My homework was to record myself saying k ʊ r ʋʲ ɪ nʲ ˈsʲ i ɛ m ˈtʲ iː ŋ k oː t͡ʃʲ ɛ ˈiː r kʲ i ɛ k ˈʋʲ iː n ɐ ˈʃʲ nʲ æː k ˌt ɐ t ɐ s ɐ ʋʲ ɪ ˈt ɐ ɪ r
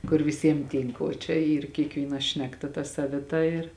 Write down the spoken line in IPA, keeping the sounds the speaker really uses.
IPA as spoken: k ʊ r ʋʲ ɪ ˈsʲ i ɛ m ˈtʲ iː ŋ k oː t͡ʃʲ ɛ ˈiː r kʲ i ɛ k ˈʋʲ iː n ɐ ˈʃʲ nʲ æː k ˌt ɐ t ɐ s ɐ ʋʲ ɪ ˈt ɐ ɪ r